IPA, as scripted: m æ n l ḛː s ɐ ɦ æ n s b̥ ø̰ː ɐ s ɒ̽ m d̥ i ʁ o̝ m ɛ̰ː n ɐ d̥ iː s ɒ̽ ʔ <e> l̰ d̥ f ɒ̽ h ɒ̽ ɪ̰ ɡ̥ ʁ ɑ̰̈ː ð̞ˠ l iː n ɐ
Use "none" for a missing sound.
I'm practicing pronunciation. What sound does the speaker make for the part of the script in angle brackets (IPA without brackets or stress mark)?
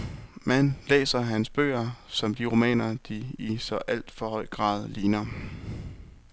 æ